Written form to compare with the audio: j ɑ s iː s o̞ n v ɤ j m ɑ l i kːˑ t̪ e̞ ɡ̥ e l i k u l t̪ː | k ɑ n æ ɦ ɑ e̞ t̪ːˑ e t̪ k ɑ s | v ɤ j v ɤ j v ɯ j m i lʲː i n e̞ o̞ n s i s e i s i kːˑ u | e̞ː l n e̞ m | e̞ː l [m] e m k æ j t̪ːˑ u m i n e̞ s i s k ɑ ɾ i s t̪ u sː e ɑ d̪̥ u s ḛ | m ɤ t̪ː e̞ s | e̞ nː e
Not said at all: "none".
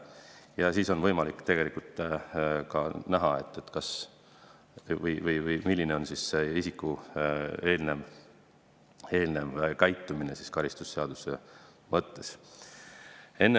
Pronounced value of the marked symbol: n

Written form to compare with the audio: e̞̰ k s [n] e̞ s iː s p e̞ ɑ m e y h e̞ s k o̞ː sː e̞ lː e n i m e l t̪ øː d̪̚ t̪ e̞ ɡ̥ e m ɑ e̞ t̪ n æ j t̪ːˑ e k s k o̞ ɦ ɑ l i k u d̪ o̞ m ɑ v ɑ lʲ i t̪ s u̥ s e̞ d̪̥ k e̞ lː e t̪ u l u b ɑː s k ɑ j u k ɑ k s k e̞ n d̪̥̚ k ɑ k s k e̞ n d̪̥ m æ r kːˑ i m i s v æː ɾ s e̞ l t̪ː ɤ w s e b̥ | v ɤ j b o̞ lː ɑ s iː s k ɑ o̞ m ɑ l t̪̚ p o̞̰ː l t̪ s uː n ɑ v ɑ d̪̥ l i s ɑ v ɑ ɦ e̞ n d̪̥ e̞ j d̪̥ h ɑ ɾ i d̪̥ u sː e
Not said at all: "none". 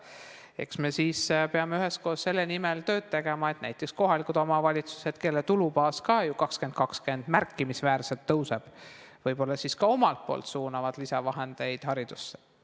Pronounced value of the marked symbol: m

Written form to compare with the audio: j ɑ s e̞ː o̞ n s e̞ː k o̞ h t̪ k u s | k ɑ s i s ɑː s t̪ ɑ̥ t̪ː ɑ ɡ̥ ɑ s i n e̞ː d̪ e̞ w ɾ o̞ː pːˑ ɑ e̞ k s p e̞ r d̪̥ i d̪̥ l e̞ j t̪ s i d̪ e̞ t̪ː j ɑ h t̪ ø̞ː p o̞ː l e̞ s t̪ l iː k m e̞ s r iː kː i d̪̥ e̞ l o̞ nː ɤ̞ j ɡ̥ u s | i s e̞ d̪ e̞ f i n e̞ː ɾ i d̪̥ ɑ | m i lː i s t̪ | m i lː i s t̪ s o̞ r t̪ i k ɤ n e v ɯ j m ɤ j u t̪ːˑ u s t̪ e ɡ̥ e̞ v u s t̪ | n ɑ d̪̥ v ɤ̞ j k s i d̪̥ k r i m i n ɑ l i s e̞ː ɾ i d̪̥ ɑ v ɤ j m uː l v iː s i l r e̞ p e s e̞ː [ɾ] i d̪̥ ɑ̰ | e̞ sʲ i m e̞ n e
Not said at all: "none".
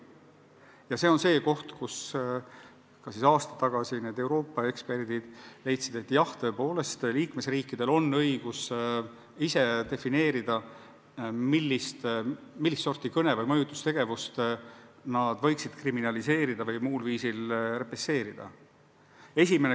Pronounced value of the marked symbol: ɾ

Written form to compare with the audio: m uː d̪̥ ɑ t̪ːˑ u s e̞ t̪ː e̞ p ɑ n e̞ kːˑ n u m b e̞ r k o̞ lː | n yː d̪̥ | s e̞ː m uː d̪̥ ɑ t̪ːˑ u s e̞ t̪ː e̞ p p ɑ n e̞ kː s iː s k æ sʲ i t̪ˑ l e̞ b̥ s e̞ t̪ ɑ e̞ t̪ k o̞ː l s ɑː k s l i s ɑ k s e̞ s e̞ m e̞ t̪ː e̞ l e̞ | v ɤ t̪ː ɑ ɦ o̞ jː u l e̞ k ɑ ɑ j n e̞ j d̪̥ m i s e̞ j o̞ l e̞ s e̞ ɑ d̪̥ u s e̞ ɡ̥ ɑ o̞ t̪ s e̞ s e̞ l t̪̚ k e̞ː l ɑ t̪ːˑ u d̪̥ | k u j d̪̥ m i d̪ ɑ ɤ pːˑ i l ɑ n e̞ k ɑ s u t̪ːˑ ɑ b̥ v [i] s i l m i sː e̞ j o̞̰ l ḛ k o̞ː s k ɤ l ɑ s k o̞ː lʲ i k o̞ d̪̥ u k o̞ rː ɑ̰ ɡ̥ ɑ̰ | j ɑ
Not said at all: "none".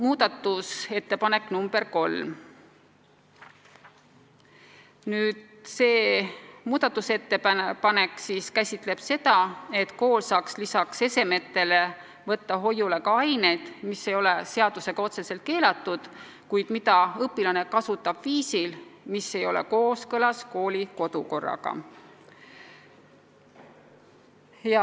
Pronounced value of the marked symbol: iː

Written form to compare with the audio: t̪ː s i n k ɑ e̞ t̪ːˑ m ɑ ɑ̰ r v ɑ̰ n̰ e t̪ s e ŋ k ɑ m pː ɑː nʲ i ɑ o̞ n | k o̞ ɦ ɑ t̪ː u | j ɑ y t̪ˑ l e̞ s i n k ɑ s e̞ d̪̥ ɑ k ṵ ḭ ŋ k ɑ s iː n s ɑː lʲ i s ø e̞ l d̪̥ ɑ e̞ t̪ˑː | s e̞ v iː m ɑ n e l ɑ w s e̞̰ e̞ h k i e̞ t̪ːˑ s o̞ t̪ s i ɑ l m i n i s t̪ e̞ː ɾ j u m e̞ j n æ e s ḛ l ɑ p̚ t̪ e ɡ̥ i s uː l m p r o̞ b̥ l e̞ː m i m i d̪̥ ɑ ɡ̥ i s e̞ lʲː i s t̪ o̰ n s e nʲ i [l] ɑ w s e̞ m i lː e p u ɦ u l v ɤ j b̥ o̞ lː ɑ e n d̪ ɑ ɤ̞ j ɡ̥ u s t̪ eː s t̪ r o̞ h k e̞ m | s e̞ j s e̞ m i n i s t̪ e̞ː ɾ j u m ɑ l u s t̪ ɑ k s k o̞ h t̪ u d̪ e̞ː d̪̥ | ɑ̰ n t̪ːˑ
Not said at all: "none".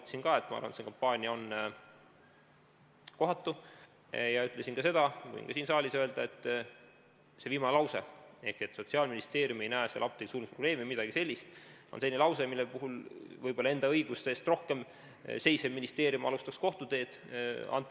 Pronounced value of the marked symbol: l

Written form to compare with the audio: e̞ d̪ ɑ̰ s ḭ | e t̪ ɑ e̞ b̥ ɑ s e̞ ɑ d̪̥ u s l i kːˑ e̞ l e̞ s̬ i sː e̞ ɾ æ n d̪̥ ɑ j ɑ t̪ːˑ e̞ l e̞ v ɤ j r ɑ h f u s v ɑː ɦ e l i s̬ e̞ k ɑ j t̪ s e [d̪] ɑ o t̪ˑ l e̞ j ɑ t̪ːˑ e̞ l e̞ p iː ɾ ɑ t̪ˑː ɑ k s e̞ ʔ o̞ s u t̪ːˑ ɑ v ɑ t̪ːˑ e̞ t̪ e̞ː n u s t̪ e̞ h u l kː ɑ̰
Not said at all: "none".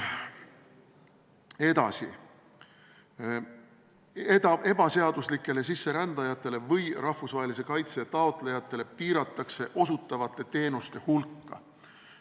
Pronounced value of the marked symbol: t̪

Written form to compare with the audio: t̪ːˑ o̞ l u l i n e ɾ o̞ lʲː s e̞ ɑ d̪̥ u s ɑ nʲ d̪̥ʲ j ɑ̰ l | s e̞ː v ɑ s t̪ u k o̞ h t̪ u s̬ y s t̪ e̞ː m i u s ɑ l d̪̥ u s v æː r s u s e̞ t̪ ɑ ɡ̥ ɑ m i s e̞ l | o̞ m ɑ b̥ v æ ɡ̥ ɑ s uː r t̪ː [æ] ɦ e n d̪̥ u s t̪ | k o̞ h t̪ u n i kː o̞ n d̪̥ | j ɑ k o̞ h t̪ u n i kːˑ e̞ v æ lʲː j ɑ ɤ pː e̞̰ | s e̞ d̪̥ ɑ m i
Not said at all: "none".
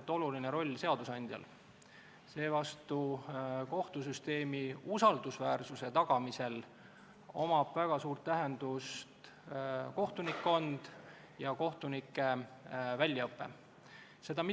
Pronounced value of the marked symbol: æ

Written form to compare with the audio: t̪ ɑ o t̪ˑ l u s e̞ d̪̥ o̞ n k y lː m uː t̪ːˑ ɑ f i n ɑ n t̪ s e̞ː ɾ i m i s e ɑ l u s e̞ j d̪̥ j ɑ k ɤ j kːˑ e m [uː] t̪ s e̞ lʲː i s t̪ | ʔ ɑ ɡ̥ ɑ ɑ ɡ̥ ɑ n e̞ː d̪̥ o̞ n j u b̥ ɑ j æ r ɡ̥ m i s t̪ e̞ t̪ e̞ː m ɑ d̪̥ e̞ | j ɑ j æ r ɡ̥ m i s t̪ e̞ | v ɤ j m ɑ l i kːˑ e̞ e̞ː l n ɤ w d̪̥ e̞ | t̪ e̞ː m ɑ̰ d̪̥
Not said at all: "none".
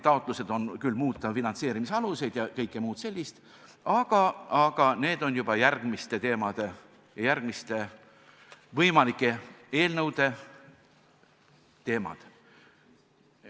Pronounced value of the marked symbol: uː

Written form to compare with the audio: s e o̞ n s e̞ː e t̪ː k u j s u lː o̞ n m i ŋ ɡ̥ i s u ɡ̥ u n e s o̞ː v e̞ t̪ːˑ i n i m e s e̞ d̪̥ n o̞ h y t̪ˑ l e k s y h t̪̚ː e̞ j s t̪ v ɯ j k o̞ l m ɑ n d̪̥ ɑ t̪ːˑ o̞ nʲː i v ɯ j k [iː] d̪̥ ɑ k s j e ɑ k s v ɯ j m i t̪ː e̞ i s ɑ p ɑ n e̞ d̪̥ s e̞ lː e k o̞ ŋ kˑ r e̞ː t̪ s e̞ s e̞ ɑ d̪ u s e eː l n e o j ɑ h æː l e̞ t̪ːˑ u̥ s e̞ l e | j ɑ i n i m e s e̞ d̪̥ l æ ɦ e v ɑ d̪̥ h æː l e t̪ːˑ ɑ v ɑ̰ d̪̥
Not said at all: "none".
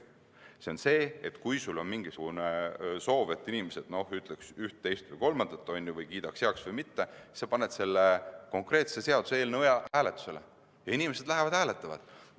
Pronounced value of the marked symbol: iː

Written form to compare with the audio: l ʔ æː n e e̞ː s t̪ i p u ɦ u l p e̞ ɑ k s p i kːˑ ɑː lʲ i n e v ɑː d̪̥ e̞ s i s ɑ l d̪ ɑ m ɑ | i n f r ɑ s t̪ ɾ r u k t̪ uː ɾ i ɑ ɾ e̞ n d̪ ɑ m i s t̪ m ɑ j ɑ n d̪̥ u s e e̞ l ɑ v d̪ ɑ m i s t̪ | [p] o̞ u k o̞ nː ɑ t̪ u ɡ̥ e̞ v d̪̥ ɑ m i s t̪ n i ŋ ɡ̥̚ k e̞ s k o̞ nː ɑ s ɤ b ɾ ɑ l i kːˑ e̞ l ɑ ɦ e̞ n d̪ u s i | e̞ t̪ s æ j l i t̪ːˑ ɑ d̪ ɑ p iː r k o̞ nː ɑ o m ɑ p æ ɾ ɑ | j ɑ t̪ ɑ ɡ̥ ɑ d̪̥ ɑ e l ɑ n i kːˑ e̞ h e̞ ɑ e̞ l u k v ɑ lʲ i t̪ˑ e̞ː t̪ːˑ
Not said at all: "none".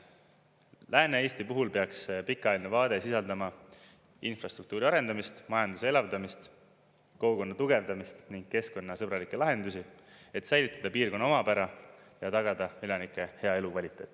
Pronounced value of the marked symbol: k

